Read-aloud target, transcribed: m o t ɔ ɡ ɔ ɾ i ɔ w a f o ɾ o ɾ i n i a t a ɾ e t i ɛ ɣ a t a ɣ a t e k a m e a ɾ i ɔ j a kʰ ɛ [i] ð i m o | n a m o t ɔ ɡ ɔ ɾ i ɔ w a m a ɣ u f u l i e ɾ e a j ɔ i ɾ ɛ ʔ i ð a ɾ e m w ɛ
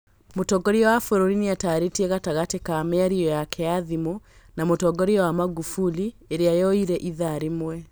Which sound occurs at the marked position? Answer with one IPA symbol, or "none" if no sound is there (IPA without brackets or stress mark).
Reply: a